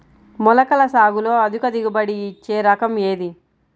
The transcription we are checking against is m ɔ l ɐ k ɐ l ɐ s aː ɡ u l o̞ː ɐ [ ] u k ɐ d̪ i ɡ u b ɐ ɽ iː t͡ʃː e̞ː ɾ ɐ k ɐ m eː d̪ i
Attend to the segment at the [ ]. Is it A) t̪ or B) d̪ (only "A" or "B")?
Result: B